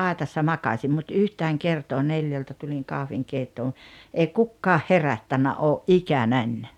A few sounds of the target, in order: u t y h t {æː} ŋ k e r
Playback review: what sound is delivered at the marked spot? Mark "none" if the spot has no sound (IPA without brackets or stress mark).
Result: æː